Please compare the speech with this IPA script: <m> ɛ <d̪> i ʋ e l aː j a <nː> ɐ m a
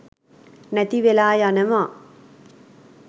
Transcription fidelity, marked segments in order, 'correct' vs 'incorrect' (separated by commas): incorrect, incorrect, incorrect